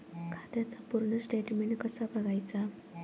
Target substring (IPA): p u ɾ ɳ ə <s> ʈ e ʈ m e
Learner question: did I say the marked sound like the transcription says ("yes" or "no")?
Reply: yes